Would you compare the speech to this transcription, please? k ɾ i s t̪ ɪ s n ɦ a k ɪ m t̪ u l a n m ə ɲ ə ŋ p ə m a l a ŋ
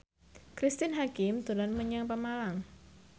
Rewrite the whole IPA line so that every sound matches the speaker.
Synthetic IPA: k ɾ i s t̪ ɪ n ɦ a k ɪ m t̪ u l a n m ə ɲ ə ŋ p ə m a l a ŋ